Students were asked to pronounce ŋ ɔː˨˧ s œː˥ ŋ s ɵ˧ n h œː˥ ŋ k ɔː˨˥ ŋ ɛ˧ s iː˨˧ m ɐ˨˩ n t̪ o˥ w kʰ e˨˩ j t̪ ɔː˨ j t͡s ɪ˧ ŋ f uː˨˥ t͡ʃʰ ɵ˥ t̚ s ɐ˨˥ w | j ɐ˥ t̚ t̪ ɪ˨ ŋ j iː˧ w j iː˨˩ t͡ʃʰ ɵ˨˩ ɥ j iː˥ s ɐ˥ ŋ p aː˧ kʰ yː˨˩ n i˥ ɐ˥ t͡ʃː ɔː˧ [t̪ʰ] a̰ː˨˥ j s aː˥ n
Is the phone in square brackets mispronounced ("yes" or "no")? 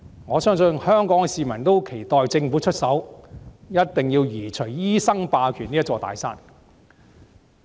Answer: yes